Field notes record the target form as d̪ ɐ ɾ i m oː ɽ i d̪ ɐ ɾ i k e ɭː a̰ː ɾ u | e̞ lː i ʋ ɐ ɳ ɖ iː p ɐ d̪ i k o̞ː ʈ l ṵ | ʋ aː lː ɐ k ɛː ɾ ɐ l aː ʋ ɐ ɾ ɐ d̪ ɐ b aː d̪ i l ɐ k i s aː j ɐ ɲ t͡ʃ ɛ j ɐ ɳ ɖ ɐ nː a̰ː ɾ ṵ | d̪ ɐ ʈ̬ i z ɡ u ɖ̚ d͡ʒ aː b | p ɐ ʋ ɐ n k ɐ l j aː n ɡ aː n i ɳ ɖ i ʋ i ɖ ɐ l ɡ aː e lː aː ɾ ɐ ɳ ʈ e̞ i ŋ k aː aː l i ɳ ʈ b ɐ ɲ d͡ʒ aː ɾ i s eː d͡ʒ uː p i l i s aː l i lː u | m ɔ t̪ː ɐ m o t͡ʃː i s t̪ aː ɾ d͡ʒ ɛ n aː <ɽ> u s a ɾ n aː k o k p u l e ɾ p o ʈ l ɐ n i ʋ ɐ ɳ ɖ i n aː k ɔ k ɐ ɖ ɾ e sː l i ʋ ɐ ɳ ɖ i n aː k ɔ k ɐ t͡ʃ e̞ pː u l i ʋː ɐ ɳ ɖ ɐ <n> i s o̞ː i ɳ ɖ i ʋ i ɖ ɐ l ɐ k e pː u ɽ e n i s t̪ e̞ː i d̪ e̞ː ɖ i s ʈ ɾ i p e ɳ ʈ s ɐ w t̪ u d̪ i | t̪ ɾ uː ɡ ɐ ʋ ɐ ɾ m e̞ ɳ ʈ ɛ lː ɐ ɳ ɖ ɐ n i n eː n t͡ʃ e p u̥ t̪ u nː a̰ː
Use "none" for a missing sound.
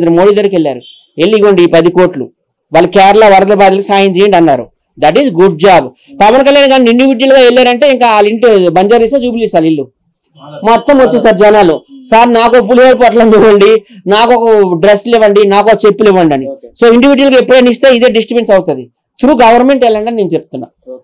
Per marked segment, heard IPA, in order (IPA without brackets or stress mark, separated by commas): l, n